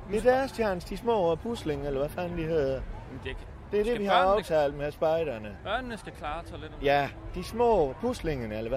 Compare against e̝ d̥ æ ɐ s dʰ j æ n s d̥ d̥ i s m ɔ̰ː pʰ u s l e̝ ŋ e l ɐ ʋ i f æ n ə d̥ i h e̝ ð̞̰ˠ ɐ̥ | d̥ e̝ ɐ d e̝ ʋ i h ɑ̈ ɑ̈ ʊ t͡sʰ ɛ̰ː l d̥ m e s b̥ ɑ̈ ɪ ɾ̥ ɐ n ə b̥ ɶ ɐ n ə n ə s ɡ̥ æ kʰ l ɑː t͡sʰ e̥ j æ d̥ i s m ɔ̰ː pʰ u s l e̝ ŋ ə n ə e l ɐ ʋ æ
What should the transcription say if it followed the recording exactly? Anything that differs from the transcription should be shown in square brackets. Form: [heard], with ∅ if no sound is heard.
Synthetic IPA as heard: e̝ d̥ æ ɐ s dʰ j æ n s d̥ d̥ i s m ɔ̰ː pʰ u s l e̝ ŋ e l ɐ ʋ [æ] f æ n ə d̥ i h e̝ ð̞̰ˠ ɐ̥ | d̥ e̝ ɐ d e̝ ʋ i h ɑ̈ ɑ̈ ʊ t͡sʰ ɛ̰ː l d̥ m e s b̥ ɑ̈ ɪ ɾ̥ ɐ n ə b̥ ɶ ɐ n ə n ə s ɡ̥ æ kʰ l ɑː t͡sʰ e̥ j æ d̥ i s m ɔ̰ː pʰ u s l e̝ ŋ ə n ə e l ɐ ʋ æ